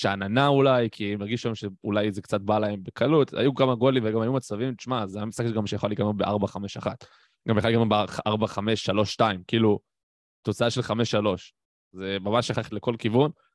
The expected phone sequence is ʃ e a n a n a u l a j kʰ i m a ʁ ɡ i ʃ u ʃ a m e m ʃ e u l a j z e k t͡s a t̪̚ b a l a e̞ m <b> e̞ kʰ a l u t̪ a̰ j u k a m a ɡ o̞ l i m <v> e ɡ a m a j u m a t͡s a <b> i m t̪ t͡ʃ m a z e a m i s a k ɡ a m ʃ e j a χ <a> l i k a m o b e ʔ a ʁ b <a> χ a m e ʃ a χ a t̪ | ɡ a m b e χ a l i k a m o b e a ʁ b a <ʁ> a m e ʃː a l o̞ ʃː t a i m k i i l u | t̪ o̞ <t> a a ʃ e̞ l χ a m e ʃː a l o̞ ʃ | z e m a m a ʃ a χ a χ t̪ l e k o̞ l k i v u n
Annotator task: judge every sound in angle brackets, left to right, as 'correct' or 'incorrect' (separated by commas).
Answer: correct, correct, incorrect, correct, correct, incorrect, incorrect